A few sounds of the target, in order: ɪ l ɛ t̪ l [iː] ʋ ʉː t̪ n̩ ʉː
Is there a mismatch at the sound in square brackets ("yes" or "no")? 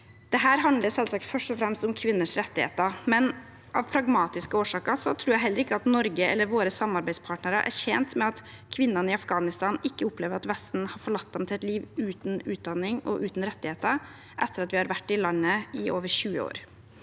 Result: no